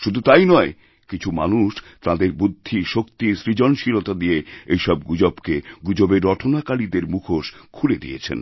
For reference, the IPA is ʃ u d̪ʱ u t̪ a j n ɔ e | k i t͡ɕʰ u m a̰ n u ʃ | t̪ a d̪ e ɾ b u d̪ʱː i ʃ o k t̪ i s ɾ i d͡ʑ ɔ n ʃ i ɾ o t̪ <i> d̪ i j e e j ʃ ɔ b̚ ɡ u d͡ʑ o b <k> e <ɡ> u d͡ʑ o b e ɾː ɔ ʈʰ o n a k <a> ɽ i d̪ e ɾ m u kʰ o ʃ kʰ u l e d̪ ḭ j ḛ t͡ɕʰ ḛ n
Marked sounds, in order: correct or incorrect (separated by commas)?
incorrect, correct, correct, correct